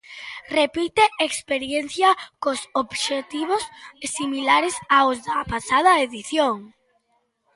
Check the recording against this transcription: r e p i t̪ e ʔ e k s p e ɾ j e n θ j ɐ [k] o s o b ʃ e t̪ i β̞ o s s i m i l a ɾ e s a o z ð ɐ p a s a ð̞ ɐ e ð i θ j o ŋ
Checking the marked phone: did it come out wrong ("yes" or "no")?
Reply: no